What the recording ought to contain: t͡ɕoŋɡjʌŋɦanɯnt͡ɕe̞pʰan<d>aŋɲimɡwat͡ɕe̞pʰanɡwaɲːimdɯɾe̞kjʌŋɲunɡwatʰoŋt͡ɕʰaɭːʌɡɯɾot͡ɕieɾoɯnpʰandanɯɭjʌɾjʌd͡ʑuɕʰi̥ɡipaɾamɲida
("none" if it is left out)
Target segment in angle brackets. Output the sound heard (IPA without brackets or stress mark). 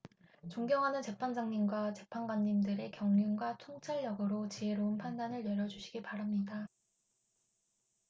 d͡ʑ